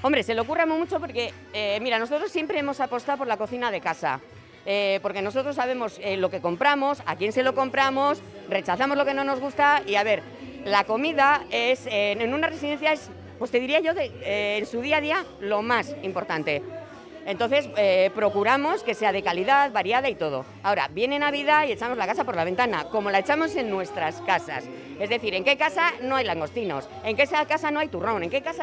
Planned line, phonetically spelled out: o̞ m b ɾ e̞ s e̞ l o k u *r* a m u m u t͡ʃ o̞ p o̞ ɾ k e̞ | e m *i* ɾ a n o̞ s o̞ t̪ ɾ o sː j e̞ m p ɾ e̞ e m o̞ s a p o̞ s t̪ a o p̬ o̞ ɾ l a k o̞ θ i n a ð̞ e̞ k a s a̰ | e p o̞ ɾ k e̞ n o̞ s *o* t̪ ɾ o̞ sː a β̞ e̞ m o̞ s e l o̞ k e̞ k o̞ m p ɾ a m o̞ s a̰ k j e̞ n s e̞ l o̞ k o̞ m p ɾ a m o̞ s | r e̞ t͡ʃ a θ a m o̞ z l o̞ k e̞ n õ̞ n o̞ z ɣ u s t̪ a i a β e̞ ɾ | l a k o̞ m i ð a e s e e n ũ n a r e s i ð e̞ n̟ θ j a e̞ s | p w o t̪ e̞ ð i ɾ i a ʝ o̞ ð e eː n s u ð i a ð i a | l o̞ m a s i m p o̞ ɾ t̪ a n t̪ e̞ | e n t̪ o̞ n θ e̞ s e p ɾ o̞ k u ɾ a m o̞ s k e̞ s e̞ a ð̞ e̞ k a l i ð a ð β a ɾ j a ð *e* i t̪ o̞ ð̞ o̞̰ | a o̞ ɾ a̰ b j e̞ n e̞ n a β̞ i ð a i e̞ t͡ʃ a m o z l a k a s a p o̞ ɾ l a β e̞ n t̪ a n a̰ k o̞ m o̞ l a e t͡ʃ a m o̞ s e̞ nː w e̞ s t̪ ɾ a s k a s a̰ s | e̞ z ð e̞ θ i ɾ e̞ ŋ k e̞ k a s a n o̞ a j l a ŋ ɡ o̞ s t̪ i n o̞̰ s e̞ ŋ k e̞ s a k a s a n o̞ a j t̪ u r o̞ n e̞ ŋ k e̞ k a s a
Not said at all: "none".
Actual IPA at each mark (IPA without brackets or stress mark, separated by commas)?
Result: r, i, o, a